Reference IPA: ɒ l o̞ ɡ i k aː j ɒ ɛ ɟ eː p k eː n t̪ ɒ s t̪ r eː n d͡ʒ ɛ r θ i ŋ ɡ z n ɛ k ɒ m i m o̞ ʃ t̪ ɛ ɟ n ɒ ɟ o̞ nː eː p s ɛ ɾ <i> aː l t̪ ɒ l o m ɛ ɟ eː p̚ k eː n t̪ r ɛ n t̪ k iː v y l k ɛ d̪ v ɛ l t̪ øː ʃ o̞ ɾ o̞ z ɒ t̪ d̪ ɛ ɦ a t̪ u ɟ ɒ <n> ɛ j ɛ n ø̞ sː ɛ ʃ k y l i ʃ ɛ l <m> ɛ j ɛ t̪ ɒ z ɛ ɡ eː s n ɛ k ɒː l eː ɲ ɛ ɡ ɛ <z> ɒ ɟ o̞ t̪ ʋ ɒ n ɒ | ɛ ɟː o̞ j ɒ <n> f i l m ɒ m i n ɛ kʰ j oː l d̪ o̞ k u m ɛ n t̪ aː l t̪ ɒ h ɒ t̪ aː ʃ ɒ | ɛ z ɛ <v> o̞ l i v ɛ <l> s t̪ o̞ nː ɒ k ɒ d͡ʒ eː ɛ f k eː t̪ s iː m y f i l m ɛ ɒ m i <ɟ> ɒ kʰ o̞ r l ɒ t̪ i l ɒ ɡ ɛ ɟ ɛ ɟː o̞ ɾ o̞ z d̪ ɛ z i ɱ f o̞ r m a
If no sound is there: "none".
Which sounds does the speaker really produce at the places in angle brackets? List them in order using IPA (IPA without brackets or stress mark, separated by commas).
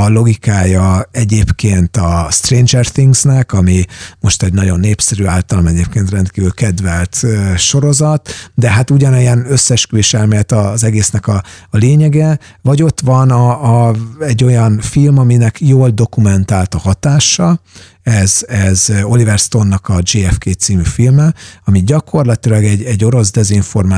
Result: y, n, m, v, n, z, r, ɟ